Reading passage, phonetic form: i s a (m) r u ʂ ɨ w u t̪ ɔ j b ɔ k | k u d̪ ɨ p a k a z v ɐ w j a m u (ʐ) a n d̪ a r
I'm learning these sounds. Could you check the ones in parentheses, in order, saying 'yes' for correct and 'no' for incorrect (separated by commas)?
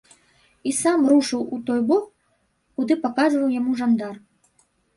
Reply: yes, yes